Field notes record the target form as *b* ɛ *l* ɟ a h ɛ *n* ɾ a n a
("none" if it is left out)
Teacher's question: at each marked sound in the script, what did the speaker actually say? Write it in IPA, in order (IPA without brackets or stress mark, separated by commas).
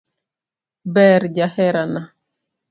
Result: b, ɾ, none